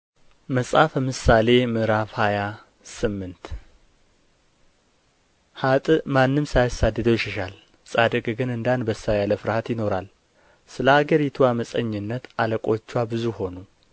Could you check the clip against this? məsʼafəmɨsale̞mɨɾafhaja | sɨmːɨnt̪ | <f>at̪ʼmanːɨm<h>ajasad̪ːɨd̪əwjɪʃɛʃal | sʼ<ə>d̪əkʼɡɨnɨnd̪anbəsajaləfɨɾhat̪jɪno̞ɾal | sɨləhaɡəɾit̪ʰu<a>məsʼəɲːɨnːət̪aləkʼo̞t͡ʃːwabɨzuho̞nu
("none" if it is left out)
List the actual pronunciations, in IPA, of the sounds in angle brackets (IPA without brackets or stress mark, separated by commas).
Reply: h, s, a, a